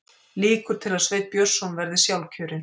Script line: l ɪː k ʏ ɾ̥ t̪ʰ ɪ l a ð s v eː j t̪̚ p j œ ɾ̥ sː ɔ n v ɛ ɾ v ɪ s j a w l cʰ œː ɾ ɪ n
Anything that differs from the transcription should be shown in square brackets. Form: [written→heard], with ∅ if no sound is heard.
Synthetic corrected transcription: l [ɪː→iː] k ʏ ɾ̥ t̪ʰ ɪ l a ð s v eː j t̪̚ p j œ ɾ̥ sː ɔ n v ɛ ɾ [v→ð] ɪ s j a w l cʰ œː ɾ ɪ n

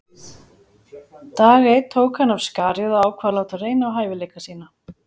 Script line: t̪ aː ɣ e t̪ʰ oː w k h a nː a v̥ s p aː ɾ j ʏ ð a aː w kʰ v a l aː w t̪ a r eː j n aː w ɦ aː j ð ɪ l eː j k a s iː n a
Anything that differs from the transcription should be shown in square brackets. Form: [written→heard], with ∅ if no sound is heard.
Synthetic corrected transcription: t̪ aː ɣ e t̪ʰ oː w k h a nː a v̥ s [p→k] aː ɾ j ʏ ð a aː w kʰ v a l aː w t̪ a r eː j n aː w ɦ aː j [ð→v] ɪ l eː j k a s iː n a

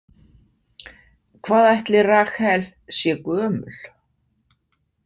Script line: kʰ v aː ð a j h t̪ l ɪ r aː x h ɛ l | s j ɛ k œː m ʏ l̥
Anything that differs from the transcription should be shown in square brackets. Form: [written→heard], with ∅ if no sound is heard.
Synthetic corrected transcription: kʰ v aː ð a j h t̪ l ɪ r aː x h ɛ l | s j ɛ k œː m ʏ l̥

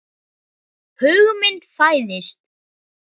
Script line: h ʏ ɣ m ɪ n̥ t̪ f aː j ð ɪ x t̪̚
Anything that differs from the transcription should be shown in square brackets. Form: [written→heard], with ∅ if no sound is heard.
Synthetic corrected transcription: h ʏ ɣ m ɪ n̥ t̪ f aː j ð ɪ [x→s] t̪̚

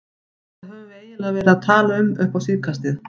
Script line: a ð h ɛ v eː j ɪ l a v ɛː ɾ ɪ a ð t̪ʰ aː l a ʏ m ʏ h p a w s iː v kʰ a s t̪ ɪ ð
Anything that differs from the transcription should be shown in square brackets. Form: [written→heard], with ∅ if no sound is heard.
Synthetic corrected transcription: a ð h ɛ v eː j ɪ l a v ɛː ɾ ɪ a ð t̪ʰ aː l a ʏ m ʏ h p a w s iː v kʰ a s t̪ ɪ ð

